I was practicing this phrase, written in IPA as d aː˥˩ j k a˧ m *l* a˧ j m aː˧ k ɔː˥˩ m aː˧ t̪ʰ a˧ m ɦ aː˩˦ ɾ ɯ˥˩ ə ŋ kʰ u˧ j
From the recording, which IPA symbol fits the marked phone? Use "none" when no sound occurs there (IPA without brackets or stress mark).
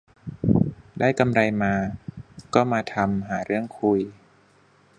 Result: ɾ